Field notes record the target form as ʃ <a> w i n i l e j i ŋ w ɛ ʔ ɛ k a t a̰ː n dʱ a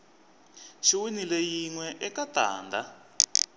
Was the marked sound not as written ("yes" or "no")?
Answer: yes